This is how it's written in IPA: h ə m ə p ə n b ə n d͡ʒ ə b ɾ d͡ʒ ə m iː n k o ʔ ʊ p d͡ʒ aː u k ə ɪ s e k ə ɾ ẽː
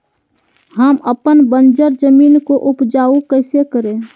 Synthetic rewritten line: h ə m ə p ə n b ə n d͡ʒ ə ɾ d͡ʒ ə m iː n k o ʔ ʊ p d͡ʒ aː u k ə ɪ s e k ə ɾ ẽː